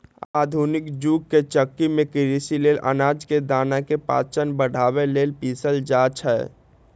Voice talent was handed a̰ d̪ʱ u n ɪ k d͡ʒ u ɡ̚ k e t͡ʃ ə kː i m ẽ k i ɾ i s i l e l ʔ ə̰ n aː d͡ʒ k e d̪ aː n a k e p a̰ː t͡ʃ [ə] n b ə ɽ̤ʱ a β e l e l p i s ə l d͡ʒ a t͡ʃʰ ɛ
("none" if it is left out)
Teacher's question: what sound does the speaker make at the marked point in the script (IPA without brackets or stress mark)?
ə